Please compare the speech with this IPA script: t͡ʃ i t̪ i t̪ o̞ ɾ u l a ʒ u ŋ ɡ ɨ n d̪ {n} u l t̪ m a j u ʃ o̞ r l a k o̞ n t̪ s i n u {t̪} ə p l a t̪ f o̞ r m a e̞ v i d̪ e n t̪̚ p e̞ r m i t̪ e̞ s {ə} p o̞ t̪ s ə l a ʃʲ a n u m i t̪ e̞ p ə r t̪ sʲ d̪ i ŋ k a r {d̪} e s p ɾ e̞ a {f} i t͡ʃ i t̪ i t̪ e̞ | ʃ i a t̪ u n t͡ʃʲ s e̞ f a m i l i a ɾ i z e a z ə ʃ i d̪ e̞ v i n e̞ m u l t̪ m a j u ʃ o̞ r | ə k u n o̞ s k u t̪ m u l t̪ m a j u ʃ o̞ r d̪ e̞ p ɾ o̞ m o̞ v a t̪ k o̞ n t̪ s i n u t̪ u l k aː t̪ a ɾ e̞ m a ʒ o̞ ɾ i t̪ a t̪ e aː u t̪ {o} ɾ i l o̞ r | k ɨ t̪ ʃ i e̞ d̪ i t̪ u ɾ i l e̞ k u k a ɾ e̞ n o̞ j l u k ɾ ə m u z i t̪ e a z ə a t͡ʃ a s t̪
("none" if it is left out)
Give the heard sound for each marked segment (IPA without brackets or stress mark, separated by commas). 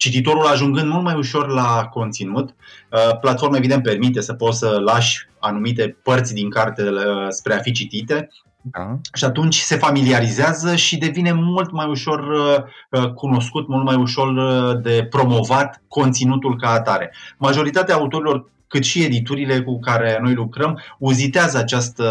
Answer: m, t̪, ə, t̪, f, o